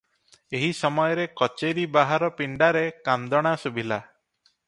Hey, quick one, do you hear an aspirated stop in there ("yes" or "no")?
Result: no